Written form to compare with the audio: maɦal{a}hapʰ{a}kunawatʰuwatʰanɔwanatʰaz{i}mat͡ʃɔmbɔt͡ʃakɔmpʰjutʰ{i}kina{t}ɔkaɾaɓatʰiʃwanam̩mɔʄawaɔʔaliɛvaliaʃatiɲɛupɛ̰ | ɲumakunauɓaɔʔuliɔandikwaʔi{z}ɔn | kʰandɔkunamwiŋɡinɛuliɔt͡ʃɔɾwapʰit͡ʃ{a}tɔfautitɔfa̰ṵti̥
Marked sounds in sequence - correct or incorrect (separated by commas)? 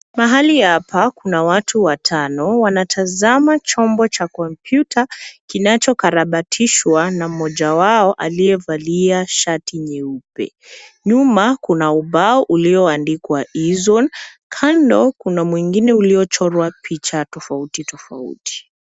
incorrect, correct, incorrect, incorrect, incorrect, correct, correct